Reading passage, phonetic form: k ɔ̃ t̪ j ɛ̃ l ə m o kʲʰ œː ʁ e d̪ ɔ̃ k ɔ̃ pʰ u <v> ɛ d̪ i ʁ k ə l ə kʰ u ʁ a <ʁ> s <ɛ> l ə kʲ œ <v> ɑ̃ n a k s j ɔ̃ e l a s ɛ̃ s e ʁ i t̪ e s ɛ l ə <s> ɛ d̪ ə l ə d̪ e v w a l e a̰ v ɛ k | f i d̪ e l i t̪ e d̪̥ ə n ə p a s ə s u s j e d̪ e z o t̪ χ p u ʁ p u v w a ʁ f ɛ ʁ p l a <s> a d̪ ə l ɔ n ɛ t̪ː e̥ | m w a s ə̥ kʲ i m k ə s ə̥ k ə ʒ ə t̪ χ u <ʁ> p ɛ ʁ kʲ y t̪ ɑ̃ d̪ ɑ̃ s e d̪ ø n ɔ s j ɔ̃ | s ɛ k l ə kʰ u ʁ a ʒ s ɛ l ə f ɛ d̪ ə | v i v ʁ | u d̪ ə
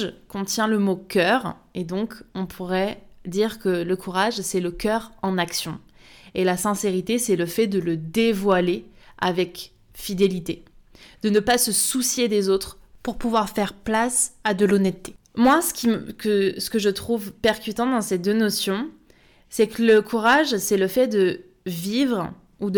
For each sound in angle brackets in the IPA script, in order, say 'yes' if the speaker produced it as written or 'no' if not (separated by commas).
no, no, yes, no, no, yes, no